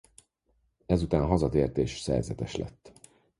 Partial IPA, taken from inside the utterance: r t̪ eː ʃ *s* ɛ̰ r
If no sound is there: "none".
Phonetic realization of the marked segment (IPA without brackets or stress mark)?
s